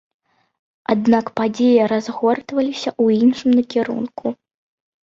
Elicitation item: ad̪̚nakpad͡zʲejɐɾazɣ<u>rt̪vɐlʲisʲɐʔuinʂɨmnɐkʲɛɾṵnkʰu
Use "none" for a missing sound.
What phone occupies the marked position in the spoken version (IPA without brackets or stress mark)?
ɔ